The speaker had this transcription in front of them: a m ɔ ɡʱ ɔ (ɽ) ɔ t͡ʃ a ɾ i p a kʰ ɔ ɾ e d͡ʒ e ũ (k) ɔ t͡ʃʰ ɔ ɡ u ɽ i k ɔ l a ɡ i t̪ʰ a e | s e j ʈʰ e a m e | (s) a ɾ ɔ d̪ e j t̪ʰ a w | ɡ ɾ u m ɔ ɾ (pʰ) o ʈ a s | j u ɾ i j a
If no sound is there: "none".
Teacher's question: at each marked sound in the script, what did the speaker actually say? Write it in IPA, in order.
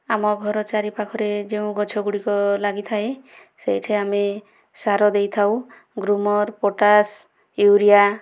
ɾ, ɡ, s, p

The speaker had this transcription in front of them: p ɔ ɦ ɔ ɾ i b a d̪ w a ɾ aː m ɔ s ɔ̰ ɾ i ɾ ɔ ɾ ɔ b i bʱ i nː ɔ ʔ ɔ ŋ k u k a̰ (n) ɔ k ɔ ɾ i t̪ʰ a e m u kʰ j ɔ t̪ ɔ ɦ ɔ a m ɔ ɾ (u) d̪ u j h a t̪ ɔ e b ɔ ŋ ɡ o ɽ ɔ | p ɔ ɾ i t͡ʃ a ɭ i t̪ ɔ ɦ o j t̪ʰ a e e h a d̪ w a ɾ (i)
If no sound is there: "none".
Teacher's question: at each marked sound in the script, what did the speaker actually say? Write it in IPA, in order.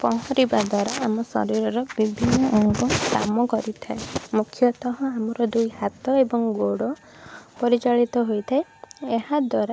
m, ɔ, a

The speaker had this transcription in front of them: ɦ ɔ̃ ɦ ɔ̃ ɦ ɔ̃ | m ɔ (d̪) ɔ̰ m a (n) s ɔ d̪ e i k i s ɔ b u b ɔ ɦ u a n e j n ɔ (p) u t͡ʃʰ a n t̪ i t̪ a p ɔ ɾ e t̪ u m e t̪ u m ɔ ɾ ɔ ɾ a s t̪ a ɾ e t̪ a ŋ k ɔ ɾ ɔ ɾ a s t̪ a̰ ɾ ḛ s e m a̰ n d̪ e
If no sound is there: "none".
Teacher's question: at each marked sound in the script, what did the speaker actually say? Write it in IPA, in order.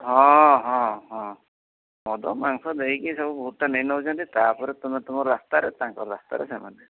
d̪, ŋ, none

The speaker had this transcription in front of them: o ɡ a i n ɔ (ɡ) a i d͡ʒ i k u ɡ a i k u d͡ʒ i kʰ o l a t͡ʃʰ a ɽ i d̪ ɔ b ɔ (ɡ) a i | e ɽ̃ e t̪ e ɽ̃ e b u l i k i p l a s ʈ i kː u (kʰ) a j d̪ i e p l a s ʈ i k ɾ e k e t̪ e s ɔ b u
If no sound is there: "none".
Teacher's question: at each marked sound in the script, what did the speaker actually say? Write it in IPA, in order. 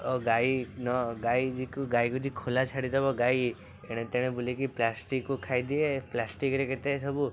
ɡ, ɡ, kʰ

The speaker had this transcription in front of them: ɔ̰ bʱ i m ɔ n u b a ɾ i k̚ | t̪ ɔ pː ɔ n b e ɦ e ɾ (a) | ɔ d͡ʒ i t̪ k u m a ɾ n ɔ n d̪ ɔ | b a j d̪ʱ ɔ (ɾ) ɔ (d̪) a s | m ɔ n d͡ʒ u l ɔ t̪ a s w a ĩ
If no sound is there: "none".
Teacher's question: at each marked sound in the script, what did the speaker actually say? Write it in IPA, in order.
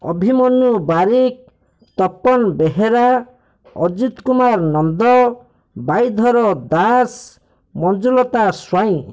a, ɾ, d̪

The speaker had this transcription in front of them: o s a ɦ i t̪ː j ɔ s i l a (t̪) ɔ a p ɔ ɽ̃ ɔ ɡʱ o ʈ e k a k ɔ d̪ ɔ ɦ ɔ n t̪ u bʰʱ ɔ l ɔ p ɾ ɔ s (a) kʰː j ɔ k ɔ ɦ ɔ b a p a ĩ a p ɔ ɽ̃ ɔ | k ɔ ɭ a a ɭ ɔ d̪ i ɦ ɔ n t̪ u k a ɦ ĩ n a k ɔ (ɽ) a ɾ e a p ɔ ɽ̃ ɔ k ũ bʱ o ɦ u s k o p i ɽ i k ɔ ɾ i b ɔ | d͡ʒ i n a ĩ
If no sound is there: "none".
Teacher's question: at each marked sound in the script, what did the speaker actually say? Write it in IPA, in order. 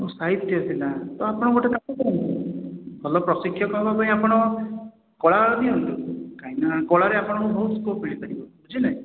t̪, i, ɭ

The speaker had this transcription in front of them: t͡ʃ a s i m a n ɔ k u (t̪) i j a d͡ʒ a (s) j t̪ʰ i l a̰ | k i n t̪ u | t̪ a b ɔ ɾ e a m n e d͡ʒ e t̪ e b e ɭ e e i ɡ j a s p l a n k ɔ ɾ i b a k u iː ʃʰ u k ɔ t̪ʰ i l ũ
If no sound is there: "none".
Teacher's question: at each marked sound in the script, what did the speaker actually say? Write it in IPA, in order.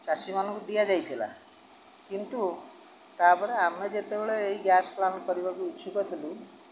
d̪, none

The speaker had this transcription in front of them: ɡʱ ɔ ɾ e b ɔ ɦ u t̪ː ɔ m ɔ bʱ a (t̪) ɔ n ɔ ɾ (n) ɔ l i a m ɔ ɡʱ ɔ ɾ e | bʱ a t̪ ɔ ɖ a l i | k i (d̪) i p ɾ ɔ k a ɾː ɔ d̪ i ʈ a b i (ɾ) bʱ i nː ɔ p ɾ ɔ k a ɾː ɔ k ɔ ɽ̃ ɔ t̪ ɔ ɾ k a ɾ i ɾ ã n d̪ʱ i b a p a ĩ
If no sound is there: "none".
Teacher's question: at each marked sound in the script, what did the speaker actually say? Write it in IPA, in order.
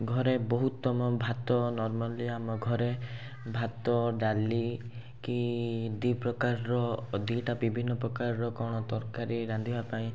t̪, m, d̪, none

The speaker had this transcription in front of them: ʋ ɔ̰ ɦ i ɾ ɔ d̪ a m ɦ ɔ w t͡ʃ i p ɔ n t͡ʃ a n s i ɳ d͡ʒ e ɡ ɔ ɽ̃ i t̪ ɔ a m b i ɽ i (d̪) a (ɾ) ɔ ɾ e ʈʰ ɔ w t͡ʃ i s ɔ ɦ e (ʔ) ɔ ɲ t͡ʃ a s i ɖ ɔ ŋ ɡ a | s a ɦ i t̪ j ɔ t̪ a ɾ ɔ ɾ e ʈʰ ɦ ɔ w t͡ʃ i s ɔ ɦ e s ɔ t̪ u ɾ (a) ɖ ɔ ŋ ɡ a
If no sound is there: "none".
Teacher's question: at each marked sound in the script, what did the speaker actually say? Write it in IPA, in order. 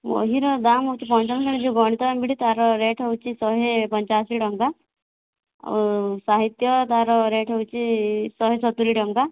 t̪, ɾ, p, i

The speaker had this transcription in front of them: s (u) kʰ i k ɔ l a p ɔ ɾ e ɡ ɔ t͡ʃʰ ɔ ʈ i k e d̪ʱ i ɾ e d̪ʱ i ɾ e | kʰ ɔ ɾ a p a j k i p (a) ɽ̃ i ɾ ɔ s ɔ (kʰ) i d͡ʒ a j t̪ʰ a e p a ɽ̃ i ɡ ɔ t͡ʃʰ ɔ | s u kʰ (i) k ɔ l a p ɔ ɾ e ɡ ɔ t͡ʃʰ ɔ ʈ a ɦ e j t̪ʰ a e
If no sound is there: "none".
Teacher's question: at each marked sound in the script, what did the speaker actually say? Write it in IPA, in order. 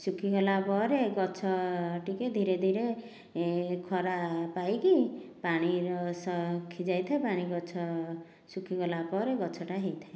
u, a, kʰ, i

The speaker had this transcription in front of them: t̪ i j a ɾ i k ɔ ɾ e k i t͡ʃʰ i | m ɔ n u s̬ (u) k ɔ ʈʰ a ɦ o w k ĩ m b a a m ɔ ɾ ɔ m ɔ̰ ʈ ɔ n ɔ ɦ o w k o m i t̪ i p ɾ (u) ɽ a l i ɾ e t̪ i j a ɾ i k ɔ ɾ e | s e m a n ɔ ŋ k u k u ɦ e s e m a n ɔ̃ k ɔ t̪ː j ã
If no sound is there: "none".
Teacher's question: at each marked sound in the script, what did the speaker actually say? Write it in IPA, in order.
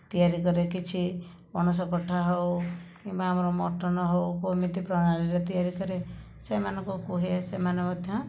ɔ, ɔ

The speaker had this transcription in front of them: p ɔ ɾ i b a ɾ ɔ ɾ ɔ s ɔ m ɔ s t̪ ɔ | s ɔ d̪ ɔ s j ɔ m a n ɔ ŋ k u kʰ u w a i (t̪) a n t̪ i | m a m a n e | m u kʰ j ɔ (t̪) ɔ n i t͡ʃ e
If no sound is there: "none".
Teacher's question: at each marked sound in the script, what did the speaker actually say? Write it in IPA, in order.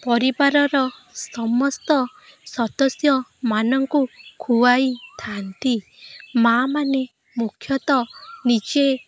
t̪ʰ, t̪

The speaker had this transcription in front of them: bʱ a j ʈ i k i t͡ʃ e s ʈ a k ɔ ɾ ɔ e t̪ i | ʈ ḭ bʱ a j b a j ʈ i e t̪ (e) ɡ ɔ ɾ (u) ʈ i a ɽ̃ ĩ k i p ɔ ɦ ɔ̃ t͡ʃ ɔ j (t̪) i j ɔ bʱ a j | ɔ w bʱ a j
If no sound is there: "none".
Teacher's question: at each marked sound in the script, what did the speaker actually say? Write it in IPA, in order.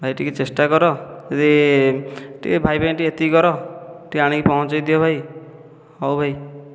i, ɔ, d̪

